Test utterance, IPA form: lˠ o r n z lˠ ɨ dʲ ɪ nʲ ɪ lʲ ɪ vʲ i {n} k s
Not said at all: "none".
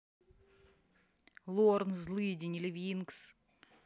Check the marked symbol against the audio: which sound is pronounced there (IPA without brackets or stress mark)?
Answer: n